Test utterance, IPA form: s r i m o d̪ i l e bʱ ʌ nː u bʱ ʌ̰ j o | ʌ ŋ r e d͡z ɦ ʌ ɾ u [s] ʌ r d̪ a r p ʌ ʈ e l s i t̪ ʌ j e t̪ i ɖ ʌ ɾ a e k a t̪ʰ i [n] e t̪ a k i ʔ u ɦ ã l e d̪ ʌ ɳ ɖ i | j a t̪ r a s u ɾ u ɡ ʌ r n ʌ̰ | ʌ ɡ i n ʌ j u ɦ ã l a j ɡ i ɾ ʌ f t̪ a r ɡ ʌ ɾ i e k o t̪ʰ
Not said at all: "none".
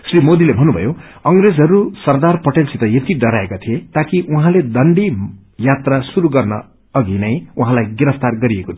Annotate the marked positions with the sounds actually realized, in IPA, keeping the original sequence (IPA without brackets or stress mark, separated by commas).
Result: s, none